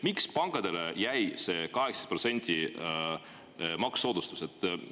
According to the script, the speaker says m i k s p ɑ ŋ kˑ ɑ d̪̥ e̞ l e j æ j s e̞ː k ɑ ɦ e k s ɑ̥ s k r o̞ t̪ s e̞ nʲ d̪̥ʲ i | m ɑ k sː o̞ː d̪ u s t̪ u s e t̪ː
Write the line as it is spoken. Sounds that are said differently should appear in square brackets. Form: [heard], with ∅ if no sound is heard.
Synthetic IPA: m i k s p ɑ ŋ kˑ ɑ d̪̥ e̞ l e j æ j s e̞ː k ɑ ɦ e k s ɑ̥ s [p] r o̞ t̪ s e̞ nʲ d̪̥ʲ i | m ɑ k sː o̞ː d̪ u s t̪ u s e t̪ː